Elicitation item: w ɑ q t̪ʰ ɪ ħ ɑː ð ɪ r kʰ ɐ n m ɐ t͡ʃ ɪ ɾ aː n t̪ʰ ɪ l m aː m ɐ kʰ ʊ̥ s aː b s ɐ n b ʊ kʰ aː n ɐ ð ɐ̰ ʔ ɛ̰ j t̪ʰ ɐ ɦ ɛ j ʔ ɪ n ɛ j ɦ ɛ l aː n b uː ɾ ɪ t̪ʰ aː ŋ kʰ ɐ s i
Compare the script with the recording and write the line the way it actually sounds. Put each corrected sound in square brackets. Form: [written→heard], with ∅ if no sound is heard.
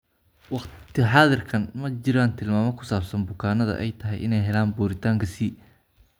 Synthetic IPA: w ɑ q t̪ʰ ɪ ħ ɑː ð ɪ r kʰ ɐ n m ɐ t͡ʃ ɪ ɾ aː n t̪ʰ ɪ l m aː m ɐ kʰ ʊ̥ s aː b s ɐ n b ʊ kʰ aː n ɐ ð ɐ̰ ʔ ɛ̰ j t̪ʰ ɐ ɦ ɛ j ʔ ɪ n ɛ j ɦ ɛ l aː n b uː ɾ ɪ t̪ʰ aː ŋ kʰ ɐ s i